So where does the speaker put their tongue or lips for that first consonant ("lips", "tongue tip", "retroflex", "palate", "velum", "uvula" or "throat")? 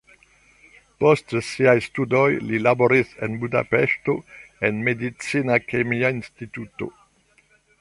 lips